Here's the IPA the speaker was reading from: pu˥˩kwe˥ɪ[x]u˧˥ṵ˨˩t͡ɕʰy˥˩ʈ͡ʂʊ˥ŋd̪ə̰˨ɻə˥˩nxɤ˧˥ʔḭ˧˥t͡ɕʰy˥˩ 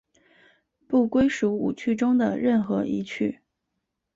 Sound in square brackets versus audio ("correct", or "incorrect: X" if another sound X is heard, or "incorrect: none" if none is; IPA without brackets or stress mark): incorrect: ʂ